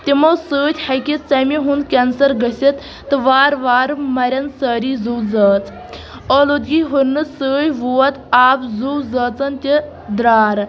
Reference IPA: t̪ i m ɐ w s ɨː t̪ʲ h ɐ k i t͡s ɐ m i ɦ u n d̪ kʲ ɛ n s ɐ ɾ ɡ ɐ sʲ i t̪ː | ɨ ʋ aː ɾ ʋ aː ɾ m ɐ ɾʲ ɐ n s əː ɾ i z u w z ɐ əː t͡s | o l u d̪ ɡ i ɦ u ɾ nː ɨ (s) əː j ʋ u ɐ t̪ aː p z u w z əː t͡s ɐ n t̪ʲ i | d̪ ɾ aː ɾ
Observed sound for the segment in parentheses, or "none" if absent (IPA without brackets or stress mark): s